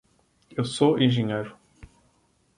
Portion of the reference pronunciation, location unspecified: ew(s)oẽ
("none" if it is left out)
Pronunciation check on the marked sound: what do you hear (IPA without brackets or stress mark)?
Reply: s